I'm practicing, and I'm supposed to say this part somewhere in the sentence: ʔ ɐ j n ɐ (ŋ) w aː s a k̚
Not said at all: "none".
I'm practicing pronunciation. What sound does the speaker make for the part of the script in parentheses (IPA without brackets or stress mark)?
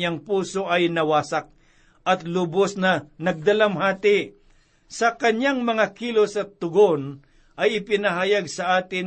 none